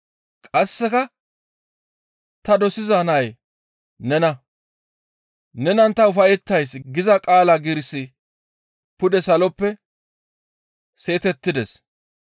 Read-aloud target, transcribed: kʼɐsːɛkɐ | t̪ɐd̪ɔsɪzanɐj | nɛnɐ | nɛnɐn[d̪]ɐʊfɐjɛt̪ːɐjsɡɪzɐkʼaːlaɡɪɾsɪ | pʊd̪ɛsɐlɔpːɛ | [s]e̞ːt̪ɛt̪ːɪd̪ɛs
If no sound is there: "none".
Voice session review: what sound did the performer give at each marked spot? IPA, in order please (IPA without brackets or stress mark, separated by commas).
t̪, s